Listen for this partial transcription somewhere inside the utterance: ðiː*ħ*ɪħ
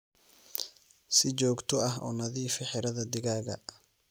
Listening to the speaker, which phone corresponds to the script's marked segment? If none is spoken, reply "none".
f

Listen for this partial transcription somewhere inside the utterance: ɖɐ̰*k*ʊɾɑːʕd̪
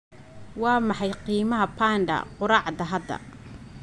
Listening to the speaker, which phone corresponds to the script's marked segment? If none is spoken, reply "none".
q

